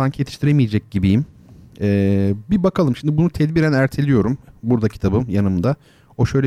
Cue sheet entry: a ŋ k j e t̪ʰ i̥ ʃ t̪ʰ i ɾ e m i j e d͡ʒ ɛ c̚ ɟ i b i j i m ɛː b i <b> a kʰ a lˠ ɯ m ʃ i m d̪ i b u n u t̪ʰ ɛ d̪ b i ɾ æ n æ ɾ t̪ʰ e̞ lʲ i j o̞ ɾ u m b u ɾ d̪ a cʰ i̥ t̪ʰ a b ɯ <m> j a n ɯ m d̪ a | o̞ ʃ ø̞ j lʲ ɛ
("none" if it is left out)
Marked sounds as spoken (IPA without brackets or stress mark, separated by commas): b, m